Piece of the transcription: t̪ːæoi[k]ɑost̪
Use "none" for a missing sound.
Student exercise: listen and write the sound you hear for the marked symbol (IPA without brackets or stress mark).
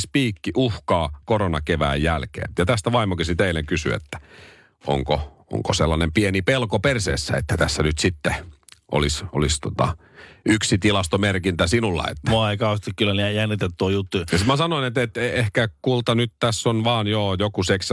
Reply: k